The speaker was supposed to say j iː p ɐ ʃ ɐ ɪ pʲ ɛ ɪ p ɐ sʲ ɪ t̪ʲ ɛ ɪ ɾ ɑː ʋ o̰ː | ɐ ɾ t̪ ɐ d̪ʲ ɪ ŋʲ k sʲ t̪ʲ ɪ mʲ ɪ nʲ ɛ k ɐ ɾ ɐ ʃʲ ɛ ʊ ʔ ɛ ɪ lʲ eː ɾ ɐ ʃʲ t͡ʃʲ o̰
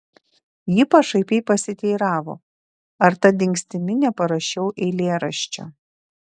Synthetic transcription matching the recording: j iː p ɐ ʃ ɐ ɪ pʲ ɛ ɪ p ɐ sʲ ɪ t̪ʲ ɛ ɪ ɾ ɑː ʋ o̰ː | ɐ ɾ t̪ ɐ d̪ʲ ɪ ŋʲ k sʲ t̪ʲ ɪ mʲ ɪ nʲ ɛ p ɐ ɾ ɐ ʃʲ ɛ ʊ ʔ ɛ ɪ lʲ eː ɾ ɐ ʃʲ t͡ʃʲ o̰